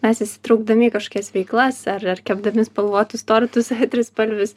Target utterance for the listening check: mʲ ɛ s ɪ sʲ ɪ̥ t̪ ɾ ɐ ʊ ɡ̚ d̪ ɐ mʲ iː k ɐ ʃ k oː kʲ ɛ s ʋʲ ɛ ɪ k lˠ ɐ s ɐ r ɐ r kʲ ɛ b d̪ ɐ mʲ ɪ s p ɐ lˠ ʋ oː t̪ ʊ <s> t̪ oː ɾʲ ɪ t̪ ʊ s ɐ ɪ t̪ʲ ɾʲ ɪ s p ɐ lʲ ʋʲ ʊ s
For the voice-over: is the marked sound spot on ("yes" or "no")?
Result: yes